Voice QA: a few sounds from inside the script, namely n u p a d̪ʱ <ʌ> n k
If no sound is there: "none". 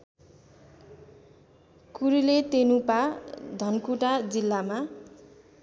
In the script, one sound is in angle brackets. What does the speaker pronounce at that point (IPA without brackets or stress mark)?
ʌ